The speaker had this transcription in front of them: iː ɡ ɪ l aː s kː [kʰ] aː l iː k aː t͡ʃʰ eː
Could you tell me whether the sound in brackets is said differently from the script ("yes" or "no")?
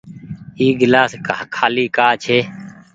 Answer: no